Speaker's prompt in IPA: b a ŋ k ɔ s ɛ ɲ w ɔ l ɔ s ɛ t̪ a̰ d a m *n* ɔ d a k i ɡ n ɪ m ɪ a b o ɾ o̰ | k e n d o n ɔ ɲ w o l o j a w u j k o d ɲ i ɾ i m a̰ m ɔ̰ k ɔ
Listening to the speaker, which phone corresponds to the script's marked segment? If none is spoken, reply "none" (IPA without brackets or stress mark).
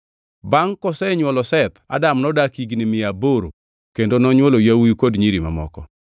n